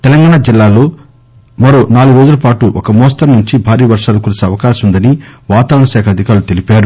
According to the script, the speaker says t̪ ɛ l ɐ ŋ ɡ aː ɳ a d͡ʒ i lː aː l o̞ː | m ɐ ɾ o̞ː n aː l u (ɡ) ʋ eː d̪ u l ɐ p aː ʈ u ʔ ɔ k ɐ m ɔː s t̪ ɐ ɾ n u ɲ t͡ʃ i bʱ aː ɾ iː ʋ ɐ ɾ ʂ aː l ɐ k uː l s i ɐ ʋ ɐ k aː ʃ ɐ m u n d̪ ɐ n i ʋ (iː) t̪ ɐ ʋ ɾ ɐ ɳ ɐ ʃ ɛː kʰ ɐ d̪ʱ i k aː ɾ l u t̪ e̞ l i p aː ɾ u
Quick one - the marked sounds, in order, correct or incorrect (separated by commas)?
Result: correct, incorrect